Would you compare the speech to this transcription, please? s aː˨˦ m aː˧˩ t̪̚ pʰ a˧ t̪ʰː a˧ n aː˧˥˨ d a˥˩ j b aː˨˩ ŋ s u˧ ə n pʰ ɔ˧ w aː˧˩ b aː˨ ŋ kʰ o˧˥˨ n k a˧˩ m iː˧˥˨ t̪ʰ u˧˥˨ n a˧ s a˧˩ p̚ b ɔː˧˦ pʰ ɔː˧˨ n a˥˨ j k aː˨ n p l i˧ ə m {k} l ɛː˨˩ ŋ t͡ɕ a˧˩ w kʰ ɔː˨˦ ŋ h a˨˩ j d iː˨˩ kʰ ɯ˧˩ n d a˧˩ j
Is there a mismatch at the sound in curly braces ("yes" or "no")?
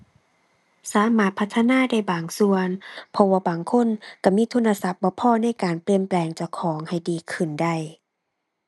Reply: yes